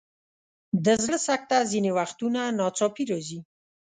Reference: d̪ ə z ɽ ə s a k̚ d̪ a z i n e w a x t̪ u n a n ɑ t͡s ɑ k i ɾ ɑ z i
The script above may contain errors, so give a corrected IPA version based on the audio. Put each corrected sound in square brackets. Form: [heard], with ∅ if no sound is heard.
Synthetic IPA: d̪ ə z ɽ ə s a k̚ [t̪] a z i n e w a x t̪ u n a n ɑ t͡s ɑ [p] i ɾ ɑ z i